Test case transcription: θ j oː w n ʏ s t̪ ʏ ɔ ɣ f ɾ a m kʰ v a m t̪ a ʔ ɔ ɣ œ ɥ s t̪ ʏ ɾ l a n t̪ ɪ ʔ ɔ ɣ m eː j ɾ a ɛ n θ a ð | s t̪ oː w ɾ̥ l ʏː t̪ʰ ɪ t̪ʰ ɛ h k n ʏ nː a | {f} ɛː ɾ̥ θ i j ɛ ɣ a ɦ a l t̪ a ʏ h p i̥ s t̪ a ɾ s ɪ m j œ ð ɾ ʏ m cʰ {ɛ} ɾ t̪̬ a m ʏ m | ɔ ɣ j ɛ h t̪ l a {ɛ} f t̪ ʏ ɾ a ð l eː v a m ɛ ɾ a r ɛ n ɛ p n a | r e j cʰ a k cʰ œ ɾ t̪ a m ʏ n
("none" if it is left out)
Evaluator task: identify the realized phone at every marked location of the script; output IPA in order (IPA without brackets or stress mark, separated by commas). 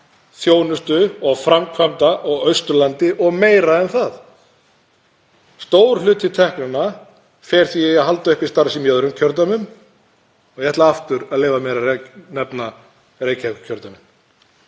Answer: f, œ, a